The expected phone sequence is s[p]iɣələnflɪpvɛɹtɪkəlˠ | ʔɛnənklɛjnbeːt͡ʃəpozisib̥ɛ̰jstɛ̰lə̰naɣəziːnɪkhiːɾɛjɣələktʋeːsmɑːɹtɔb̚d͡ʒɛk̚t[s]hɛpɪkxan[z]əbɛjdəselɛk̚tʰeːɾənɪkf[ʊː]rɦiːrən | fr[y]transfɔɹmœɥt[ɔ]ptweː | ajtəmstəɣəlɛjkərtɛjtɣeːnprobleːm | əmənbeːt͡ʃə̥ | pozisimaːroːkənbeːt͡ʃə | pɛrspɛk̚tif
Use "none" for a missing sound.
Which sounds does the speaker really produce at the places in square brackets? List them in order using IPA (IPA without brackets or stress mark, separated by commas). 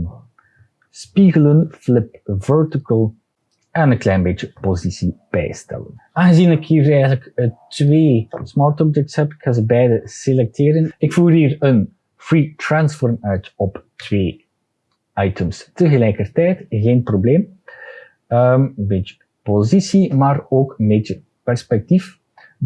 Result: p, s, z, uː, i, ɔ